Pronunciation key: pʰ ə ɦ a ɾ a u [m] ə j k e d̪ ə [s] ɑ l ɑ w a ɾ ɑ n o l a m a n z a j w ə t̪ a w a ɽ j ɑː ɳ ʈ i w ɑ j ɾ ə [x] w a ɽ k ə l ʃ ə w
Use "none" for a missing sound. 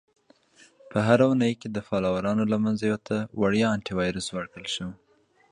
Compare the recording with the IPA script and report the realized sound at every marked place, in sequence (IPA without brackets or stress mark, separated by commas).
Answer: n, f, s